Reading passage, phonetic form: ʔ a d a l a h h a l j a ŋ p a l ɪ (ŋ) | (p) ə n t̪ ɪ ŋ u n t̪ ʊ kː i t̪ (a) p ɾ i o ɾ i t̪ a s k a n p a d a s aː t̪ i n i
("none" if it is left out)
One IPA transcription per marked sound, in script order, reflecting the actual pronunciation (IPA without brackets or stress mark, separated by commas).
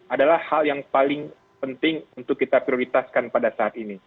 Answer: ŋ, p, a